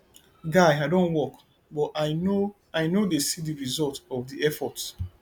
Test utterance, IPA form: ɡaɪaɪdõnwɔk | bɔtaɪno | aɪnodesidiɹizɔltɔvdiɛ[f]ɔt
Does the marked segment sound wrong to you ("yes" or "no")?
no